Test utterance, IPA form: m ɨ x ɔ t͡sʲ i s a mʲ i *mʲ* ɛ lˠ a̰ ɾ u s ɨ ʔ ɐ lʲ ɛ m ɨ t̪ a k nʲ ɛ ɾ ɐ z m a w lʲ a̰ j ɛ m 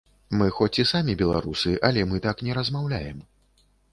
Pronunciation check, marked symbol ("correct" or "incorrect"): incorrect